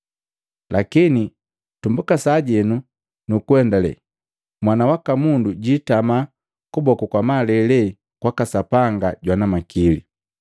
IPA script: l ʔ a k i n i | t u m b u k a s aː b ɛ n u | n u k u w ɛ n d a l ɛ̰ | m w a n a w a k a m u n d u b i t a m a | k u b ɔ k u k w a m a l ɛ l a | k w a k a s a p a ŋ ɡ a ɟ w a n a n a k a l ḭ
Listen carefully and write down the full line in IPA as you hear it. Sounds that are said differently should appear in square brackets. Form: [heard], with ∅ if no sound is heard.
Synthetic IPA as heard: l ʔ a k i n i | t u m b u k a s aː [ɟ] ɛ n u | n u k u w ɛ n d a l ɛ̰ | m w a n a w a k a m u n d u [ɟ] i t a m a | k u b ɔ k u k w a m a l ɛ l [ɛ] | k w a k a s a p a ŋ ɡ a ɟ w a n a [m] a k [i] l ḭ